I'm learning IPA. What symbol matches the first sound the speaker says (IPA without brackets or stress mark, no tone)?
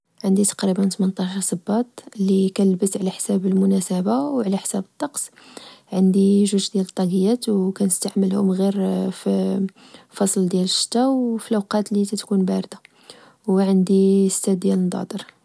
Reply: ʕ